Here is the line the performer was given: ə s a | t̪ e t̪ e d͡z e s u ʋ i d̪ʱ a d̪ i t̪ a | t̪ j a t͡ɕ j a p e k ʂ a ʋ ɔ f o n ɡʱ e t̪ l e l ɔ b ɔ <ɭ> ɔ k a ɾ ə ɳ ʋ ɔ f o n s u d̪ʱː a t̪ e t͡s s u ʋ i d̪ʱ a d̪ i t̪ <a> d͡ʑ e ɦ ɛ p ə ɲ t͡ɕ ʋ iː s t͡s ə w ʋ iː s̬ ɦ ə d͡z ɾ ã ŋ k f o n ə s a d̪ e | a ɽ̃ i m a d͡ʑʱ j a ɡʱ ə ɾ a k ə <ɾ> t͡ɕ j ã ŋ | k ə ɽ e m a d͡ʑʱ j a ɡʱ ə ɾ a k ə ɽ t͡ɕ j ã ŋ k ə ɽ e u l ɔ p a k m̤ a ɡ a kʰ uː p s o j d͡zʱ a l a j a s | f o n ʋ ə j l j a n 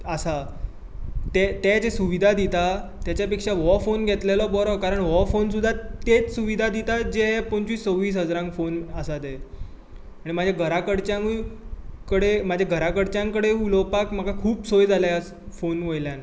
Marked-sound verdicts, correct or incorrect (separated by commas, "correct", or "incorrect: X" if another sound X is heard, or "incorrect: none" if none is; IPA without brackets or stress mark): incorrect: ɾ, correct, incorrect: ɽ